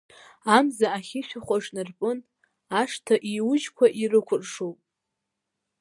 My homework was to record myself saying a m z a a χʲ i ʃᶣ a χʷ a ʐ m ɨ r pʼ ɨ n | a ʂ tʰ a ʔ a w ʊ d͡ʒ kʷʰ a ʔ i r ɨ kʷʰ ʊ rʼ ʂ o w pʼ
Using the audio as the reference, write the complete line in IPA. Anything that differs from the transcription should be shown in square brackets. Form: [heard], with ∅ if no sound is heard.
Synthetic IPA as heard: a m z a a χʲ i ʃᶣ a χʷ a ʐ [n] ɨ r pʼ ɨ n | a ʂ tʰ a ʔ [i] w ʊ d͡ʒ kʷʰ a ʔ i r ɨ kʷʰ ʊ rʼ ʂ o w pʼ